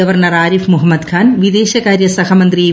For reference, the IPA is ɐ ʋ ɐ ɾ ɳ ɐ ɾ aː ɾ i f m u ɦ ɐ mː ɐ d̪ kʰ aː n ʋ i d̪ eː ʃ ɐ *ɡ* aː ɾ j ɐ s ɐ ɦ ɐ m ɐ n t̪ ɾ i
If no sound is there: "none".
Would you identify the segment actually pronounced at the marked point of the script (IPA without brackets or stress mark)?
k